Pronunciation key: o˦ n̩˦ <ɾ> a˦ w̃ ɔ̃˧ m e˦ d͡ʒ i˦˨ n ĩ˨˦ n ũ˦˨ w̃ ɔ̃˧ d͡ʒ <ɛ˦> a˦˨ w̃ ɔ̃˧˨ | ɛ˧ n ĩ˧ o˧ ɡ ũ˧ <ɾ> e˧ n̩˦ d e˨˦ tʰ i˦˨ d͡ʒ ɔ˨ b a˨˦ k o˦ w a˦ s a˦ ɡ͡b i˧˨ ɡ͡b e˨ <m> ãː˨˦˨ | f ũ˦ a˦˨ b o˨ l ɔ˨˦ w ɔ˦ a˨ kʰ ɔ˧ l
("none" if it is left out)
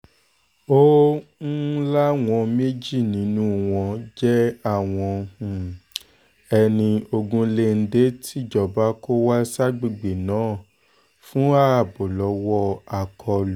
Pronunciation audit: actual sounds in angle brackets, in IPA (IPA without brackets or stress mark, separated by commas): l, ɛ˦, l, n